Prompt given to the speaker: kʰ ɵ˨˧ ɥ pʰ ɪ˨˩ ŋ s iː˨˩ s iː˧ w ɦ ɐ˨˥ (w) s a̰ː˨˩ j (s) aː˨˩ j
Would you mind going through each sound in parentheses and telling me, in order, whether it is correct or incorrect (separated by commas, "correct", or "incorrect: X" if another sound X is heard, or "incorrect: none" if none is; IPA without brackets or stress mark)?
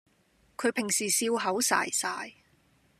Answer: correct, correct